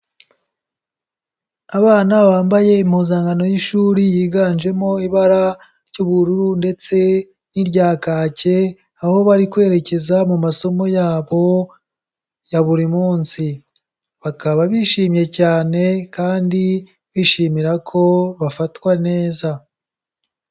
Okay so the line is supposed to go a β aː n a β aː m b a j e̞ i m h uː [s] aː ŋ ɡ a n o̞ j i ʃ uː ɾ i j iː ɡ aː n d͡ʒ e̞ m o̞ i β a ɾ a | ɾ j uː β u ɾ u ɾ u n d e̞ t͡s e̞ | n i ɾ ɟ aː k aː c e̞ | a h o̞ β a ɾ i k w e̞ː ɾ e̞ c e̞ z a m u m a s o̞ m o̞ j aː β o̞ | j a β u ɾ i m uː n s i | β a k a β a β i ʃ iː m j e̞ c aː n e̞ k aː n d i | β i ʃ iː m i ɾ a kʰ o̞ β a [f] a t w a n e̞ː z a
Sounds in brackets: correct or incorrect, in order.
incorrect: z, correct

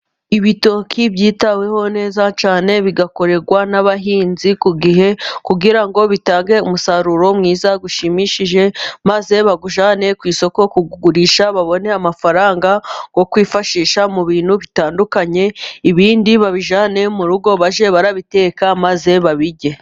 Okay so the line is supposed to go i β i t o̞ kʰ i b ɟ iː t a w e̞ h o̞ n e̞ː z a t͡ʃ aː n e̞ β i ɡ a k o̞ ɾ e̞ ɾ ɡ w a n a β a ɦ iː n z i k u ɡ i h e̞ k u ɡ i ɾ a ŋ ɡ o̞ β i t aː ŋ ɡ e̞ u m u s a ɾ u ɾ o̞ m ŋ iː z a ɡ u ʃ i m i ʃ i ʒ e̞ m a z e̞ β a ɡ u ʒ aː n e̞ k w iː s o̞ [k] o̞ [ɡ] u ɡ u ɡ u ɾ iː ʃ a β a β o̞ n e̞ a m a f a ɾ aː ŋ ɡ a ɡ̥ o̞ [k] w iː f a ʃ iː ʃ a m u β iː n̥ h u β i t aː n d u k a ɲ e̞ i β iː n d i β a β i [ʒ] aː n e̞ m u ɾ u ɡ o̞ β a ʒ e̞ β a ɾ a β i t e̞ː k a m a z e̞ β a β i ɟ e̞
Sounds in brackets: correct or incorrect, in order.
correct, incorrect: k, correct, correct

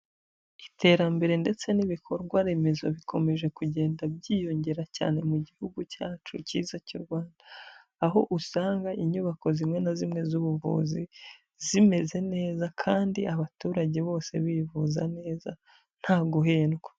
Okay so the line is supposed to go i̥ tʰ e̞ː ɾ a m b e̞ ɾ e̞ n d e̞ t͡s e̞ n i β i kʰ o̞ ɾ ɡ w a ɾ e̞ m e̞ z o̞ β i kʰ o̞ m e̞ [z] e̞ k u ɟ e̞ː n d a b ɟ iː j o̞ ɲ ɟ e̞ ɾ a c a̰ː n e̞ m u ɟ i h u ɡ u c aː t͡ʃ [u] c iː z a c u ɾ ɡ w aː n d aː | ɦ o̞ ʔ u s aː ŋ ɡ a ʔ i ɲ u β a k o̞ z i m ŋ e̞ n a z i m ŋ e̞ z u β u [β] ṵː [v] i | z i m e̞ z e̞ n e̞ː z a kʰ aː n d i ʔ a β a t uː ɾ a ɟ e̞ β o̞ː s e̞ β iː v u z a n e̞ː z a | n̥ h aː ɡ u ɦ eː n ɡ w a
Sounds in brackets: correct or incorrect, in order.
incorrect: ʒ, correct, incorrect: v, incorrect: z

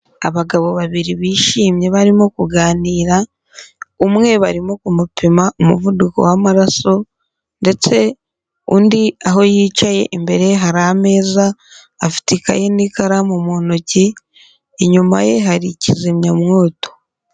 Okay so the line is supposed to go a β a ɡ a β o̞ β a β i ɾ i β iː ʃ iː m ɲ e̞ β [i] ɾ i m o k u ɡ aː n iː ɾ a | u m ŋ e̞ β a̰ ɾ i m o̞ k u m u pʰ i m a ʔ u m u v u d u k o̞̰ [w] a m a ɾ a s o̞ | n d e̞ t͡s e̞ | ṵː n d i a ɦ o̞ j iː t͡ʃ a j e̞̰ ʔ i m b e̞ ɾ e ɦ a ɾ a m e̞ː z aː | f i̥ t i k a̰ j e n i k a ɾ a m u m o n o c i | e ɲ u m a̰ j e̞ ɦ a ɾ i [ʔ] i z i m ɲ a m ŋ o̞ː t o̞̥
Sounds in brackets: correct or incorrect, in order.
incorrect: a, correct, incorrect: c

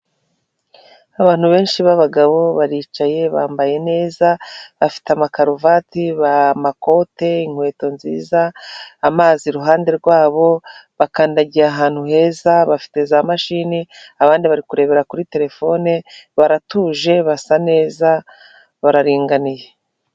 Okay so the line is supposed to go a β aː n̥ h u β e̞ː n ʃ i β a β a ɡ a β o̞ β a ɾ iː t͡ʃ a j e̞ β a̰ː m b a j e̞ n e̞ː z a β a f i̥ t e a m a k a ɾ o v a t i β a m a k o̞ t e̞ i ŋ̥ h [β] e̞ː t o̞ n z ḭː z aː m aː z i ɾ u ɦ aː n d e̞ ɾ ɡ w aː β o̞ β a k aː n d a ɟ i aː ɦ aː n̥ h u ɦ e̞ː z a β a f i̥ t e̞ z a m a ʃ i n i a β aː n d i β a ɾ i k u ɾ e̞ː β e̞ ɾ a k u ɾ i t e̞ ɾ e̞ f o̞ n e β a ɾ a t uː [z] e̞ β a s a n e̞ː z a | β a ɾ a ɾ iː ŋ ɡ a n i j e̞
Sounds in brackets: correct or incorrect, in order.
incorrect: w, incorrect: ʒ

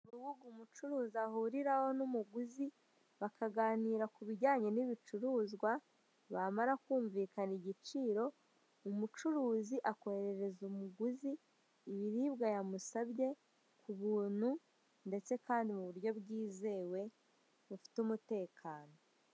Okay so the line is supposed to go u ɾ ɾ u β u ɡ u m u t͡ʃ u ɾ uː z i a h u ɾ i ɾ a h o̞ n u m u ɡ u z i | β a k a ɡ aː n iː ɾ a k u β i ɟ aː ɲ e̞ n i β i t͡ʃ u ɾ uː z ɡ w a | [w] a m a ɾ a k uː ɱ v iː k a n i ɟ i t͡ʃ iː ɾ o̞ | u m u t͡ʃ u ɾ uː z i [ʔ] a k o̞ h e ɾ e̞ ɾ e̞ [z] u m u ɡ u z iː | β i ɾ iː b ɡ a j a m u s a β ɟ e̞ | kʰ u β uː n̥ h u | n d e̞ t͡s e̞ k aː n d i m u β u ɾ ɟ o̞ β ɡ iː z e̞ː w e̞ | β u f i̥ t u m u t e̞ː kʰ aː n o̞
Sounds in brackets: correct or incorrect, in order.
incorrect: β, correct, correct

